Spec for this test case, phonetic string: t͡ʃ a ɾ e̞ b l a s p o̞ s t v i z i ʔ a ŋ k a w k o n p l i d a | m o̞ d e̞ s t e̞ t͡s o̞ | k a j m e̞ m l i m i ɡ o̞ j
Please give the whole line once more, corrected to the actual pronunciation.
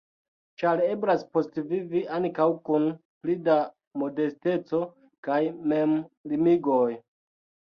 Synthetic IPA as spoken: t͡ʃ a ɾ e̞ b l a s p o̞ s t v i v i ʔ a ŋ k a w k u n p l i d a | m o̞ d e̞ s t e̞ t͡s o̞ | k a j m e̞ m l i m i ɡ o̞ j

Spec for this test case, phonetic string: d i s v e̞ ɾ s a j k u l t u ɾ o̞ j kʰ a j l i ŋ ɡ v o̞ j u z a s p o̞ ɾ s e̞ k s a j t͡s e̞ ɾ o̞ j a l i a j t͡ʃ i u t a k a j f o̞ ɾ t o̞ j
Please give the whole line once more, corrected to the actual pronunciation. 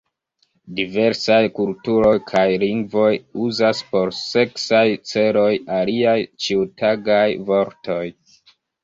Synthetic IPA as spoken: d i v e̞ ɾ s a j k u l t u ɾ o̞ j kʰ a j l i ŋ ɡ v o̞ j u z a s p o̞ ɾ s e̞ k s a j t͡s e̞ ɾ o̞ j a l i a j t͡ʃ i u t a ɡ a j v o̞ ɾ t o̞ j

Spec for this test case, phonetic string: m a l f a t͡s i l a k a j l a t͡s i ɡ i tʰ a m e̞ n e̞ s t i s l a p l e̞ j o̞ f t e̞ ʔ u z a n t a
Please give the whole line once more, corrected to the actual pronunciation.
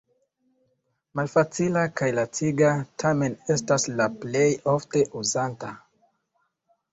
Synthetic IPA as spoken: m a l f a t͡s i l a k a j l a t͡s i ɡ a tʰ a m e̞ n e̞ s t a s l a p l e̞ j o̞ f t e̞ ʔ u z a n t a

